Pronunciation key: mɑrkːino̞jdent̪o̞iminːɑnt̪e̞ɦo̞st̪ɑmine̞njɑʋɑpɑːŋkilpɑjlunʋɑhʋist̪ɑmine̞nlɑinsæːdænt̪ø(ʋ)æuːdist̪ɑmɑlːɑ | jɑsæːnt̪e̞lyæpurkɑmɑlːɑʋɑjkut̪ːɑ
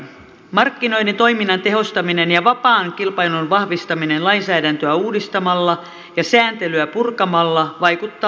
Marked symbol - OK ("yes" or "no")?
no